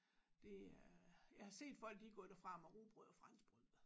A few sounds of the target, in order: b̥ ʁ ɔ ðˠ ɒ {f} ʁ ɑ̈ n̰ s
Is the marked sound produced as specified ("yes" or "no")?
yes